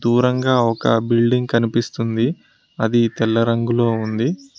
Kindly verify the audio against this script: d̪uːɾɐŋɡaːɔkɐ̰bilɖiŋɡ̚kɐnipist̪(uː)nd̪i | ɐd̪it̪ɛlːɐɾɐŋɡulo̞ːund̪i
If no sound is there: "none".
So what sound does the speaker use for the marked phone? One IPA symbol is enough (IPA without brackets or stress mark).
u